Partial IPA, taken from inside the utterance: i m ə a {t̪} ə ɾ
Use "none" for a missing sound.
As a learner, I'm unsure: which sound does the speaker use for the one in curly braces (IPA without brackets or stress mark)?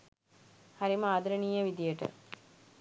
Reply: d̪